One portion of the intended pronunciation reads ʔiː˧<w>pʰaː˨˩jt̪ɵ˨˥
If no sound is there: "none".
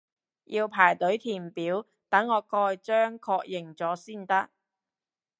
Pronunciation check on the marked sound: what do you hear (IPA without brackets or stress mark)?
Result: w